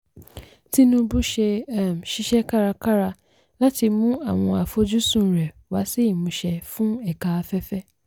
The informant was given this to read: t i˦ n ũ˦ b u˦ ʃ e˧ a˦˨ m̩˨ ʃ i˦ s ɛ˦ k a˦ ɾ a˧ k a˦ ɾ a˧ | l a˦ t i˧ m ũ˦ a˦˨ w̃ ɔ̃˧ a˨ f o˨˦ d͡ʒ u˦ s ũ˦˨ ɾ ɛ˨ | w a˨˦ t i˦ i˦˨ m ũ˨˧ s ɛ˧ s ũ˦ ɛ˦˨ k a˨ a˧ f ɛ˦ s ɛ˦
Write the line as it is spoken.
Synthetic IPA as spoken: t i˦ n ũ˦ b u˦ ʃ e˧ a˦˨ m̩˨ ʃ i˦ ʃ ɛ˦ k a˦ ɾ a˧ k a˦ ɾ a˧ | l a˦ t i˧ m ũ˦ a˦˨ w̃ ɔ̃˧ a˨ f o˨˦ d͡ʒ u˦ s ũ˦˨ ɾ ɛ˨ | w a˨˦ s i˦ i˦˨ m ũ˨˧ ʃ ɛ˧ f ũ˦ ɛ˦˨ k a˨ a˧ f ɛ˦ f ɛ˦